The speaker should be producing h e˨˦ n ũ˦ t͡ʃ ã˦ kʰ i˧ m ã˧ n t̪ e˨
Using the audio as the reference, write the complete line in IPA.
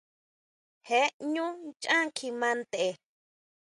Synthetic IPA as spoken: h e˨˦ ɲ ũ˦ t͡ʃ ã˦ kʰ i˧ m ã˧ n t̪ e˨

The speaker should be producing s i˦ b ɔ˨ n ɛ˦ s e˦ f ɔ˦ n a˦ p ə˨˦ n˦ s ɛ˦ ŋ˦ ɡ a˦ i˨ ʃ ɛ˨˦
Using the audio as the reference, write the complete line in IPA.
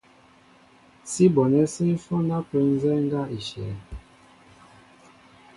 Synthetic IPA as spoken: s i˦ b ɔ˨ n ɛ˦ s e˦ f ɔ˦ n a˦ p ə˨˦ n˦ z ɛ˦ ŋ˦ ɡ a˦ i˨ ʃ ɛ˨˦

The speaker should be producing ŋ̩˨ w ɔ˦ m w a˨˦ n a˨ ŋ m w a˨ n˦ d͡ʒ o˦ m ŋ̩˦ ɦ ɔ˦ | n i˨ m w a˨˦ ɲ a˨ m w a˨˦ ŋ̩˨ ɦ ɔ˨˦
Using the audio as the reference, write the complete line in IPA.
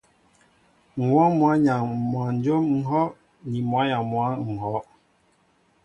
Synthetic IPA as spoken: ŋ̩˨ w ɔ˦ m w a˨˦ ɲ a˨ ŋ m w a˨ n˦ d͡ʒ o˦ m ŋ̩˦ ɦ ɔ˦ | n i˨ m w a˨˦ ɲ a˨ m w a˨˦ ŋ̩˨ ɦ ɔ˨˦

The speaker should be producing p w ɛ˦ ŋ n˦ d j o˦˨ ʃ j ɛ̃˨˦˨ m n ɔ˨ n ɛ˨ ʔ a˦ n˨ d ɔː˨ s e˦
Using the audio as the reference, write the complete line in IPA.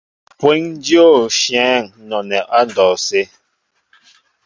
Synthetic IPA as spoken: p w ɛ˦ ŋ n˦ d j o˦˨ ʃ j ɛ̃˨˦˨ ŋ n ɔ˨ n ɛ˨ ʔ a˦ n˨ d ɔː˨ s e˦

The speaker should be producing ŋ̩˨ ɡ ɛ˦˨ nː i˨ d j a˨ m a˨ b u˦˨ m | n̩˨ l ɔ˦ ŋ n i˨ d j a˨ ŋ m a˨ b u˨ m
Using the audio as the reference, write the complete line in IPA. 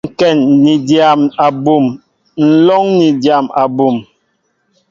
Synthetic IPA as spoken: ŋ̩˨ k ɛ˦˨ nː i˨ d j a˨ m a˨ b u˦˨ m | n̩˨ l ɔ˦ ŋ n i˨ d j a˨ m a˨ b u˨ m

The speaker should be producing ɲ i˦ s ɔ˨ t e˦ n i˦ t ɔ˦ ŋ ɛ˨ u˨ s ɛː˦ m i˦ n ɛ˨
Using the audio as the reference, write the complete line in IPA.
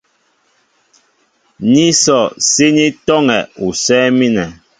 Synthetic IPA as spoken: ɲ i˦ s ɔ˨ s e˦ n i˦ t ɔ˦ ŋ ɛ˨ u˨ s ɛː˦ m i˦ n ɛ˨

